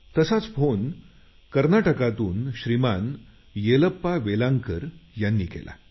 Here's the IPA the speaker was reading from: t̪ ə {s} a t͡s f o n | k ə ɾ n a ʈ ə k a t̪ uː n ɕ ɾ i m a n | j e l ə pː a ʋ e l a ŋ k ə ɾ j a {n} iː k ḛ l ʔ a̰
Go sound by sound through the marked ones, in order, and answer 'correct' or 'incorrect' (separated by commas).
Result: correct, incorrect